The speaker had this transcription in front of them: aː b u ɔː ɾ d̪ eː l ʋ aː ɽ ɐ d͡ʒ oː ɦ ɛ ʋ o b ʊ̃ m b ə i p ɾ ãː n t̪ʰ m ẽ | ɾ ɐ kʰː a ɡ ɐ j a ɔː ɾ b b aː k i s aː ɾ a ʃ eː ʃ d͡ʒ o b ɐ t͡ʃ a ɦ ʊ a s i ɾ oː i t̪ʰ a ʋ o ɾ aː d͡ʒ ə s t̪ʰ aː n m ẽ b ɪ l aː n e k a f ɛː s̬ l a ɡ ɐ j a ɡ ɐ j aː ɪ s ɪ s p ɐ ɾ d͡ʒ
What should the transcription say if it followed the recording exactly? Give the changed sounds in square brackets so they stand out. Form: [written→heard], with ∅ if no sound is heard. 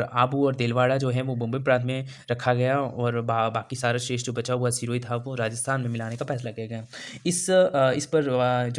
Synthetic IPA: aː b u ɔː ɾ d̪ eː l ʋ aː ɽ [ɐ→a] d͡ʒ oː ɦ ɛ ʋ o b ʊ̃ m b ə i p ɾ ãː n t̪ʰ m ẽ | ɾ ɐ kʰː a ɡ ɐ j a ɔː ɾ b b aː k i s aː ɾ a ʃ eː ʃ d͡ʒ o b ɐ t͡ʃ a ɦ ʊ a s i ɾ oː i t̪ʰ a ʋ o ɾ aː d͡ʒ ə s t̪ʰ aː n m ẽ [b→m] ɪ l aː n e k a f ɛː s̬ l a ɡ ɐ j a ɡ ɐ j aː ɪ s ɪ s p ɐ ɾ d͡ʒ